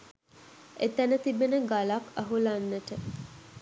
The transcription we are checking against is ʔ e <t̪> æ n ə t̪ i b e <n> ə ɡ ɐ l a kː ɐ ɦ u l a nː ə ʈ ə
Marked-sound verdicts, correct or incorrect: correct, correct

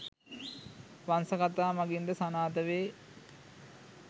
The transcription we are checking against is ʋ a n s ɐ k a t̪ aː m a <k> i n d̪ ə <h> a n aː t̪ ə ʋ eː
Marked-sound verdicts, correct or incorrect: incorrect: ɡ, incorrect: s

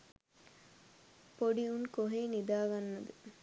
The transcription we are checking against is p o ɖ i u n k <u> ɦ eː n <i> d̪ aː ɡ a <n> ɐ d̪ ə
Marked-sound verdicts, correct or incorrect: incorrect: o, correct, incorrect: nː

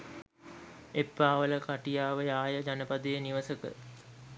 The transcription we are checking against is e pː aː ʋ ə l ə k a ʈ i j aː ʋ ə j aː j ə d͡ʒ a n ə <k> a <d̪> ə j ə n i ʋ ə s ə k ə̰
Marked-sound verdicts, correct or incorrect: incorrect: p, correct

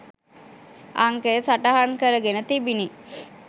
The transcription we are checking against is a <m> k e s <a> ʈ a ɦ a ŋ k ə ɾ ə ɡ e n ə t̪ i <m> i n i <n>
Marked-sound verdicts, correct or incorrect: incorrect: ŋ, correct, incorrect: b, incorrect: none

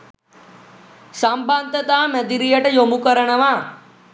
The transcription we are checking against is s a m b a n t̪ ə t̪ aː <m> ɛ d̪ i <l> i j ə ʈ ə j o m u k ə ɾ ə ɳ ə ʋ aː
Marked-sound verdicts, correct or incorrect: correct, incorrect: ɾ

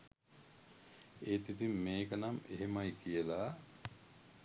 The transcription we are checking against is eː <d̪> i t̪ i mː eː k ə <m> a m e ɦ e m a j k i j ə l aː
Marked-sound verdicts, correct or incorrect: incorrect: t̪, incorrect: n

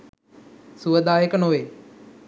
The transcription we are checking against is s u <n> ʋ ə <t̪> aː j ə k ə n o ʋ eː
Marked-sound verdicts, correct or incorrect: incorrect: none, incorrect: d̪

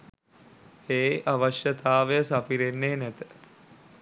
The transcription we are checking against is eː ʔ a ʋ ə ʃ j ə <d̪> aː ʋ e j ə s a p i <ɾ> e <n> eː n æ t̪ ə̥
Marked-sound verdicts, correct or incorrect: incorrect: t̪, correct, incorrect: nː

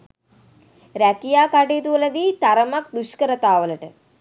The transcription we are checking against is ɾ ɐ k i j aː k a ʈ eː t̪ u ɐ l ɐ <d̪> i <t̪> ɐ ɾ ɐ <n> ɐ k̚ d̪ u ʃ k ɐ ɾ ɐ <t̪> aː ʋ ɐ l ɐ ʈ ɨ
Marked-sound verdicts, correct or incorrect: correct, correct, incorrect: m, correct

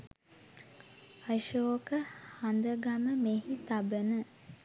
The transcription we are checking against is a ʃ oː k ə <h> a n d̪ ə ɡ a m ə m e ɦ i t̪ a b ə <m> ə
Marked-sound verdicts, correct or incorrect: correct, incorrect: n

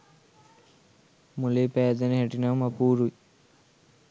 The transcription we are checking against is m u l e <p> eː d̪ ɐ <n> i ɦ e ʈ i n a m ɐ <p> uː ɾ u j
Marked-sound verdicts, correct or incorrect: correct, correct, correct

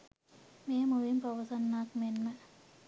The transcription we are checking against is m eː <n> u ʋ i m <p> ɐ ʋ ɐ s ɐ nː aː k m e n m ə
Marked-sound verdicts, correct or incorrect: incorrect: m, correct

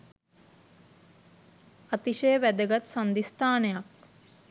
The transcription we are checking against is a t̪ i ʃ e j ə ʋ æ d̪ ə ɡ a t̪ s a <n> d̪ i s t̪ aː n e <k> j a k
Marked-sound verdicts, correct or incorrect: correct, incorrect: none

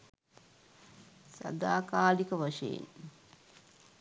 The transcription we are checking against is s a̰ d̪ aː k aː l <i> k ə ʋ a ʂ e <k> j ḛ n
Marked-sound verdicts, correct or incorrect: correct, incorrect: none

